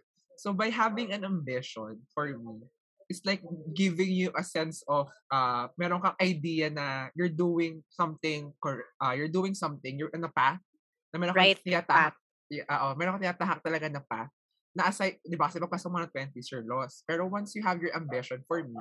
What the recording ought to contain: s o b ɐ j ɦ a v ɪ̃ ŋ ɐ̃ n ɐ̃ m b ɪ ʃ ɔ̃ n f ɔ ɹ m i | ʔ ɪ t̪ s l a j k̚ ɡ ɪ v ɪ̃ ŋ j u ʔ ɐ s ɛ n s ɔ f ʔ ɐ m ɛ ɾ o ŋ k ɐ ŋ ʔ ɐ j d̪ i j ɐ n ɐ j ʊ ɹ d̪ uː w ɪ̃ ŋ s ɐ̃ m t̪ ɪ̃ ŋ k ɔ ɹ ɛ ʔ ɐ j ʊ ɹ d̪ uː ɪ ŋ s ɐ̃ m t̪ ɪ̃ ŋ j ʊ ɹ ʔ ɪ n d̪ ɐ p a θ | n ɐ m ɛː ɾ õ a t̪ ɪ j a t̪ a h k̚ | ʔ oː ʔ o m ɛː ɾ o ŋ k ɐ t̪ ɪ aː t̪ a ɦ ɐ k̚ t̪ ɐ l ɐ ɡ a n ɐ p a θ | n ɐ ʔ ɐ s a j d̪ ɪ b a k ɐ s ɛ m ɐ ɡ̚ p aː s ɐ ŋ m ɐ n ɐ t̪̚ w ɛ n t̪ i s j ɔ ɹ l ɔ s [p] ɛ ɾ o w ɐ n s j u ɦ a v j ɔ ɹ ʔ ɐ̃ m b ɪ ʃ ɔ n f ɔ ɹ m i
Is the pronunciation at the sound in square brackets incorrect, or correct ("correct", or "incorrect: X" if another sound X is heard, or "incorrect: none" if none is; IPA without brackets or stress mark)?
correct